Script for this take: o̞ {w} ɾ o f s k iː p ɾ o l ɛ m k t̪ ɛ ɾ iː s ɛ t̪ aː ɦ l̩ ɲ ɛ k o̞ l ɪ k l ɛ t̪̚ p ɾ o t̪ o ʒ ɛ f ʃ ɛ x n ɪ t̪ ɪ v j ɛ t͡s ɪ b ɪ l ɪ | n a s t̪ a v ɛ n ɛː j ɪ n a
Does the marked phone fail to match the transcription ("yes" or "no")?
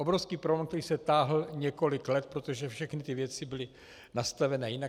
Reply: yes